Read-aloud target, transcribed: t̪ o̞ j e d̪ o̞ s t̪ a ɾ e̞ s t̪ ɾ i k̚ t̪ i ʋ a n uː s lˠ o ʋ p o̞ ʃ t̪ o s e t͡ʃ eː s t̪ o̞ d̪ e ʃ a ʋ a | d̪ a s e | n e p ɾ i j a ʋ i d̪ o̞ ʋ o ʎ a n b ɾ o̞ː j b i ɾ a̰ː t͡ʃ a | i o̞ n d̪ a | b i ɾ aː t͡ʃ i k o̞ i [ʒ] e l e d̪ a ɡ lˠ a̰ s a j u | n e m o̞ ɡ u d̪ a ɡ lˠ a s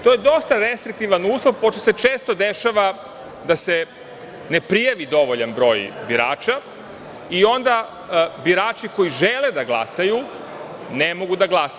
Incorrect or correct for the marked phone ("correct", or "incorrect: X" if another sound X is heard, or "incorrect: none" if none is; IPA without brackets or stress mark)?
correct